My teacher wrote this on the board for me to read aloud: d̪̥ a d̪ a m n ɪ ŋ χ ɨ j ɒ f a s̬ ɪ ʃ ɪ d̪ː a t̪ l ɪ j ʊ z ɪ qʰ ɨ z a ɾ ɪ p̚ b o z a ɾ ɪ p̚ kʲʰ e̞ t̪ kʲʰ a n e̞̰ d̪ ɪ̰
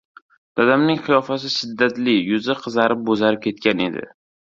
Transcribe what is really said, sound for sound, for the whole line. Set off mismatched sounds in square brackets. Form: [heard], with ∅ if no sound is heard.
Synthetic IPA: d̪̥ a d̪ a m n ɪ ŋ χ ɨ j ɒ f a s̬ ɪ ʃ ɪ d̪ː a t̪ l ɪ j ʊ z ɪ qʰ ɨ z a ɾ ɪ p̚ b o z a ɾ ɪ p̚ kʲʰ e̞ t̪ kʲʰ a n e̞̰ d̪ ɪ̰